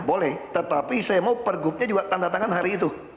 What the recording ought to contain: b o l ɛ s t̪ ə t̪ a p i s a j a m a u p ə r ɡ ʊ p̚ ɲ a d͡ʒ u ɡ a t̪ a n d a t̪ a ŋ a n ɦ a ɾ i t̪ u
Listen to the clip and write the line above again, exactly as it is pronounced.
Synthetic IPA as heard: b o l ɛ h t̪ ə t̪ a p i s a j a m a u p ə r ɡ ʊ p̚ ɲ a d͡ʒ u ɡ a t̪ a n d a t̪ a ŋ a n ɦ a ɾ iː t̪ u